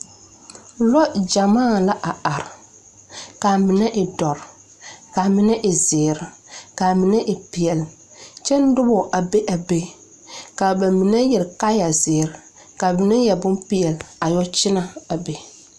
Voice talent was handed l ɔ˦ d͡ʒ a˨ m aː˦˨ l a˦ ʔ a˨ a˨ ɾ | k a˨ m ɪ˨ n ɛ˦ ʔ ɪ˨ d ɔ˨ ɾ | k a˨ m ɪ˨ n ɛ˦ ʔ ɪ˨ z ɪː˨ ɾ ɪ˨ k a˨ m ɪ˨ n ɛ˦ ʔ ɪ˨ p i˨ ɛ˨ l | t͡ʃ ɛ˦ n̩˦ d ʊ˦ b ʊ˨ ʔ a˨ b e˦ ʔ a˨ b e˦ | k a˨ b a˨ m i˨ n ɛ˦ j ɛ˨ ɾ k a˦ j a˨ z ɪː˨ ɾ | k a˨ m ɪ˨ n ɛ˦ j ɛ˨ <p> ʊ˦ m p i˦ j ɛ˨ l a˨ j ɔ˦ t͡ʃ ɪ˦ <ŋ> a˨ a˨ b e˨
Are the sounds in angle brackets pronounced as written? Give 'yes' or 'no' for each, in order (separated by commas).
no, no